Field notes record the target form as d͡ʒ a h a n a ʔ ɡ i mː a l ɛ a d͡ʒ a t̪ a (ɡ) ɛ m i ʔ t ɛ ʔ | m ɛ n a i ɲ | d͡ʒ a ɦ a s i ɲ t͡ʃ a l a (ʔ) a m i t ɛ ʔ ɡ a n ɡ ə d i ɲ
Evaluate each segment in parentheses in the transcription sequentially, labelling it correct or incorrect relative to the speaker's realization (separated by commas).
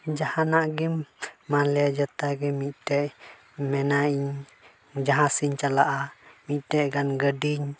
correct, correct